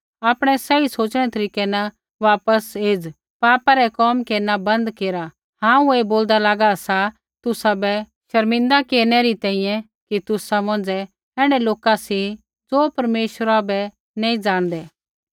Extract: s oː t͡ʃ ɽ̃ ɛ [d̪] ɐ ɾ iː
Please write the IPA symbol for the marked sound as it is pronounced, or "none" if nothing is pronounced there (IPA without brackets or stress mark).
t̪